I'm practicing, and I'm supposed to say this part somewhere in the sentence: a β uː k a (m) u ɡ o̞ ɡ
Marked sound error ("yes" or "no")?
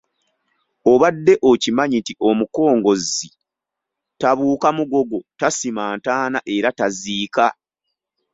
no